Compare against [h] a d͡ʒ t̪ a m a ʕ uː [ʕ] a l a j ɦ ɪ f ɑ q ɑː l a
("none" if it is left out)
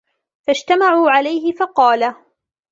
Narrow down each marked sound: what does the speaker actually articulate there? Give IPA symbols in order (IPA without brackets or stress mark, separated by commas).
f, ʕ